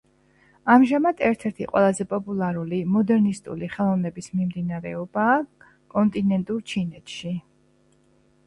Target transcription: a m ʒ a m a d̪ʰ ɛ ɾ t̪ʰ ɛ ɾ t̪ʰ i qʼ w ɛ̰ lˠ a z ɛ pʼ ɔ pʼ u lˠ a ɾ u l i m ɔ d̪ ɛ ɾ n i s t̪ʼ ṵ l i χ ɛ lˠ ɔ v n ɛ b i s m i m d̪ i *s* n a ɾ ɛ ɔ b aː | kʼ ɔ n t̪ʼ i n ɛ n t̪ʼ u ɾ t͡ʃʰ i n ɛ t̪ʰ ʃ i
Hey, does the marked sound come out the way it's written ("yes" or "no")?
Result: no